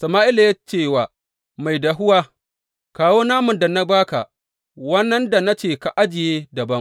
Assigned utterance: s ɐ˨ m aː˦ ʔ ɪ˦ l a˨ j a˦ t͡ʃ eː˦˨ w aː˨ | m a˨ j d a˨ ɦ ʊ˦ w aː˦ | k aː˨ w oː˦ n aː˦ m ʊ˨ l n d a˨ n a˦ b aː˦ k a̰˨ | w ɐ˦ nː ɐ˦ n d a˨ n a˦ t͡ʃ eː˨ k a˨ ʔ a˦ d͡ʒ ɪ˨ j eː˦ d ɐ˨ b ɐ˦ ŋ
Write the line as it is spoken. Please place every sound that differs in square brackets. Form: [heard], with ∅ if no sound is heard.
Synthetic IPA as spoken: s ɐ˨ m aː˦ ʔ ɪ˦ l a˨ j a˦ t͡ʃ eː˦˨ w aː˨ | m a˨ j d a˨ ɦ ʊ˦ w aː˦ | k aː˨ w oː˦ n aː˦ m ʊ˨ [∅] n d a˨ n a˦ b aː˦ k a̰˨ | w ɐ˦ nː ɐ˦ n d a˨ n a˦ t͡ʃ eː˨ k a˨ ʔ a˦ d͡ʒ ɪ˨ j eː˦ d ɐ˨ b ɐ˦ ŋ